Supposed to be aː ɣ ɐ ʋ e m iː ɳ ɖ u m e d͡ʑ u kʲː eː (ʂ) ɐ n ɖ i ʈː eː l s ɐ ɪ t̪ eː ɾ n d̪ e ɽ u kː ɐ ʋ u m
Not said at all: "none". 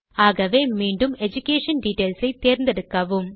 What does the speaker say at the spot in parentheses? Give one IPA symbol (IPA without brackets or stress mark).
ʂ